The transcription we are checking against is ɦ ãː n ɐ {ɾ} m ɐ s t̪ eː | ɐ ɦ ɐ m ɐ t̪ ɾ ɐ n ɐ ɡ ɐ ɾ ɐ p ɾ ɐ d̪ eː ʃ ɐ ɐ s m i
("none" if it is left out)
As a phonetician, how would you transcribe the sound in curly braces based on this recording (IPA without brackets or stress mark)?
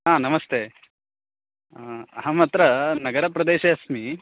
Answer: none